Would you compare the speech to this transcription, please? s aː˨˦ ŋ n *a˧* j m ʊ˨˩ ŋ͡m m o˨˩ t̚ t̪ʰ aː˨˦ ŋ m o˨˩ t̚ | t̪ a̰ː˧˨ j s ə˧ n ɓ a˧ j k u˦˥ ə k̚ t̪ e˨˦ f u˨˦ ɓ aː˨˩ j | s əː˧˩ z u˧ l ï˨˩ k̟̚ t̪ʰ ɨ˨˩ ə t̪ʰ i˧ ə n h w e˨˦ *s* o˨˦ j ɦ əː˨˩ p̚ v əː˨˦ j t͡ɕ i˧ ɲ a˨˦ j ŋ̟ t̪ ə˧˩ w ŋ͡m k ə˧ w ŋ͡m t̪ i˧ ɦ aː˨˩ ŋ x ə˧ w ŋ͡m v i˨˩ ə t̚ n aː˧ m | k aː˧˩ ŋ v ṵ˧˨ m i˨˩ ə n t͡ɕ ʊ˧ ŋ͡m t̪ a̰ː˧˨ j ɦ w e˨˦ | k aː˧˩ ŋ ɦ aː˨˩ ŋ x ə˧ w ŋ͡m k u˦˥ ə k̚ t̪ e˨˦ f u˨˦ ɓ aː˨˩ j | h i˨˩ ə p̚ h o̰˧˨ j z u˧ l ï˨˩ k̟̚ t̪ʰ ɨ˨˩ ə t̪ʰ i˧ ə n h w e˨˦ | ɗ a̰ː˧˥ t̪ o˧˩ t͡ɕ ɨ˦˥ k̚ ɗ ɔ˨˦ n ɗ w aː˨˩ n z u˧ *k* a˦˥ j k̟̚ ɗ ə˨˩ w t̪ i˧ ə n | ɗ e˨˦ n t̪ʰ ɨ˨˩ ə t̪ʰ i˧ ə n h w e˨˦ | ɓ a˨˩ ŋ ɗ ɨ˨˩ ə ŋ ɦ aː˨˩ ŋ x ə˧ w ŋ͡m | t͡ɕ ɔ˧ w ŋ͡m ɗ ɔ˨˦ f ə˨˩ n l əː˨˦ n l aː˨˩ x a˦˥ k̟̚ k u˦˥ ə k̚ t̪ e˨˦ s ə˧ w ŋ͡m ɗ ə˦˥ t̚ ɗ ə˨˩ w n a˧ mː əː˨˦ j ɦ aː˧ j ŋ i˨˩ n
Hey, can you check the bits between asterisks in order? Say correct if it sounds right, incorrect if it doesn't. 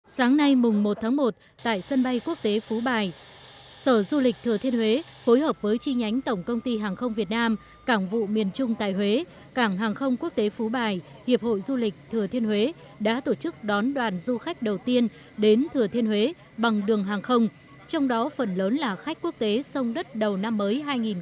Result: correct, incorrect: f, incorrect: x

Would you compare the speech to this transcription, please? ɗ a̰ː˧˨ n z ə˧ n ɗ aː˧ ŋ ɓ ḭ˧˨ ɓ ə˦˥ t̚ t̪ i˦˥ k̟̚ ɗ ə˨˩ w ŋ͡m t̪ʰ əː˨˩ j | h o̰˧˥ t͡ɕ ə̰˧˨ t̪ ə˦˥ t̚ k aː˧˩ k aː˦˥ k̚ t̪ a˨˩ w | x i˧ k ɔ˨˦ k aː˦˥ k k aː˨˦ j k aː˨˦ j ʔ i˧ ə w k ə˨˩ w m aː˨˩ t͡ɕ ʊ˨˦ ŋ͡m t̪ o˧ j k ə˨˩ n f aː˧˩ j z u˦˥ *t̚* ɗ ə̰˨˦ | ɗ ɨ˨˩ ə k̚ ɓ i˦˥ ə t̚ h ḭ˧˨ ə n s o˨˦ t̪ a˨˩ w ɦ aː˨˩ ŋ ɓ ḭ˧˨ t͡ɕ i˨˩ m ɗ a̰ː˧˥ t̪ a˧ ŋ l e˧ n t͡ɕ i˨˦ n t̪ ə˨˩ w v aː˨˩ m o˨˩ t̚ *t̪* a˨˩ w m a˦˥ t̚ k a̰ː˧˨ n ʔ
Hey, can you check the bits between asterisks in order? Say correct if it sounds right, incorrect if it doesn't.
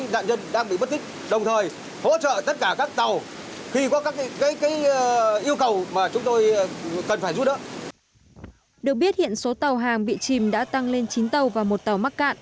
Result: correct, correct

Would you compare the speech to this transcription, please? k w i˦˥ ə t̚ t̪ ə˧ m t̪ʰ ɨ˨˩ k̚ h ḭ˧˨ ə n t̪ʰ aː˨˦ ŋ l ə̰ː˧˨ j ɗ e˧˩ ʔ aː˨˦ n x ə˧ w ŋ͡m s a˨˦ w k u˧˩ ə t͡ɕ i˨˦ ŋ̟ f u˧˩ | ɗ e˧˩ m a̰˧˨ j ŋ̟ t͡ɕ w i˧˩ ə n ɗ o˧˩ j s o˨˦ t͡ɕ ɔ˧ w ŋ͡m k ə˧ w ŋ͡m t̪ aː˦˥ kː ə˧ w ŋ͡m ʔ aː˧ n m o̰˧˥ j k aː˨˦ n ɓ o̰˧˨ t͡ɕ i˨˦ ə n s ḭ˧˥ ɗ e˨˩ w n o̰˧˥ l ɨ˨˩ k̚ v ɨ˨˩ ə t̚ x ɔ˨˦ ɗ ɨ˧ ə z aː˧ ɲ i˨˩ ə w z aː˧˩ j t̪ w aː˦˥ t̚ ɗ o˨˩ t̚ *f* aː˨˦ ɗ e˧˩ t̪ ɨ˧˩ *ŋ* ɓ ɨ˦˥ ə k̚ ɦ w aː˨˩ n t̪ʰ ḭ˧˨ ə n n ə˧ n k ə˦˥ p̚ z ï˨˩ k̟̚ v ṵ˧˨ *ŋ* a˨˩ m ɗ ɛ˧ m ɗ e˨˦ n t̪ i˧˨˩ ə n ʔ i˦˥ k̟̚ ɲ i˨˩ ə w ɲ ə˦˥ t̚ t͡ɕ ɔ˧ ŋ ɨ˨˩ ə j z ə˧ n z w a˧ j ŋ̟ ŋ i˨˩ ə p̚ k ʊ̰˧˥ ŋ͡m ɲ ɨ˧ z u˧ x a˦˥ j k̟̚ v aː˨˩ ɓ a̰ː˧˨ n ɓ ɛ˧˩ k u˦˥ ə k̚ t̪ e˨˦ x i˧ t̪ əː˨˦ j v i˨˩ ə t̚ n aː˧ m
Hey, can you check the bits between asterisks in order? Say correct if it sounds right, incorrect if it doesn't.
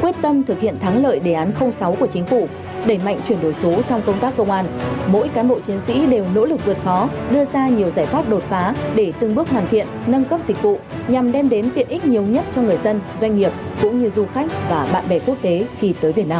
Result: correct, correct, incorrect: ɲ

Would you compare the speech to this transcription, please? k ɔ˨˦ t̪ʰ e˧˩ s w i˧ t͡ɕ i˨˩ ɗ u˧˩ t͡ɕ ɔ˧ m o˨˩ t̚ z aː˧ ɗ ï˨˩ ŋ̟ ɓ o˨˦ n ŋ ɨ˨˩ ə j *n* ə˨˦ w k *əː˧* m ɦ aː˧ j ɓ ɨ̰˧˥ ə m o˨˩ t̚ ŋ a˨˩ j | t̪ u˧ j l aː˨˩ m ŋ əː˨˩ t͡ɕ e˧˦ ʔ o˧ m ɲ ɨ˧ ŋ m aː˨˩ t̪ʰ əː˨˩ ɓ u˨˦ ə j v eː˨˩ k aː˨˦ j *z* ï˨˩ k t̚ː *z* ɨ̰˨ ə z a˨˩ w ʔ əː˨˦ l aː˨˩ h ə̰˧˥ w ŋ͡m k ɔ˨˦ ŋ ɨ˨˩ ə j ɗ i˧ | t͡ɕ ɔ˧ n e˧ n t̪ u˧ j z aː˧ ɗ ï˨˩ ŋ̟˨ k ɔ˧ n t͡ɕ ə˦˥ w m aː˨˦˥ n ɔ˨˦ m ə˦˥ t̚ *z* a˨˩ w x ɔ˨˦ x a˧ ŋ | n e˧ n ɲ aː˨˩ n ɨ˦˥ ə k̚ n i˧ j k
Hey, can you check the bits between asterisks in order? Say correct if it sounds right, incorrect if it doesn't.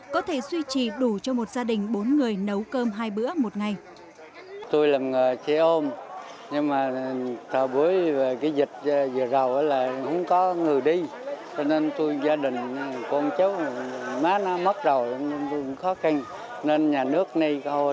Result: correct, correct, correct, correct, correct

